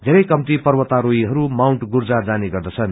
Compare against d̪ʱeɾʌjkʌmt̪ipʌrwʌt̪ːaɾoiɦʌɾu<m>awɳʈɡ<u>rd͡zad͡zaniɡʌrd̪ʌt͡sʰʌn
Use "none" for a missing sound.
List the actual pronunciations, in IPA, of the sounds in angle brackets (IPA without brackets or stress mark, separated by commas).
m, u